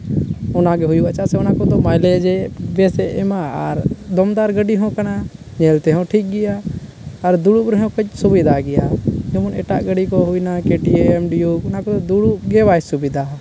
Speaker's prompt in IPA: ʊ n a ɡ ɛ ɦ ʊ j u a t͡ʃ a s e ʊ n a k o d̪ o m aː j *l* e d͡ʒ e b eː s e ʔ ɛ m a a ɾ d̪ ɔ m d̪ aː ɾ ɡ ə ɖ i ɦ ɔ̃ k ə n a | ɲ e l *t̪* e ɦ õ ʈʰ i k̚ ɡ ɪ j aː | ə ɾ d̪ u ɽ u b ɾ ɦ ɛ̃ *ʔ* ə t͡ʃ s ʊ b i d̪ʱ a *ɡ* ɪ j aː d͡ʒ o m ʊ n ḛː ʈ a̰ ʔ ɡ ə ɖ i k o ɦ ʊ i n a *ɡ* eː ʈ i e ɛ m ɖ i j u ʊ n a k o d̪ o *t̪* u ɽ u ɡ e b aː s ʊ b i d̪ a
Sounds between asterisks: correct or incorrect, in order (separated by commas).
correct, correct, incorrect, correct, incorrect, incorrect